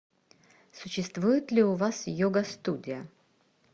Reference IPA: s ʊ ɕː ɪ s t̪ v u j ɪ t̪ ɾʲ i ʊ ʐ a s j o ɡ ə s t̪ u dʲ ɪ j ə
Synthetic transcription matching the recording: s ʊ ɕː ɪ s t̪ v u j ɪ t̪ lʲ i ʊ v a s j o ɡ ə s t̪ u dʲ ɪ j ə